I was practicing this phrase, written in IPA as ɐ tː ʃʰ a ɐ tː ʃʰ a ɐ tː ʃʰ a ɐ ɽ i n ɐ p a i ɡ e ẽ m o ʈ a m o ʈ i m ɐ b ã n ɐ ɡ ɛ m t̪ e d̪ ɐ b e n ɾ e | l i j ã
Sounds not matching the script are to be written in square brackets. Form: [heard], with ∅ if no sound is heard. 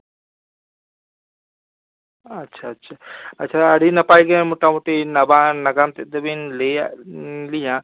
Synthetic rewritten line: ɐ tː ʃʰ a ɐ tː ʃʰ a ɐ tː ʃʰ a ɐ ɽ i n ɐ p a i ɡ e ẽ m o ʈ a m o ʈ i [n] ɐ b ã n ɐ ɡ [a] m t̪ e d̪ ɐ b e n [l] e | l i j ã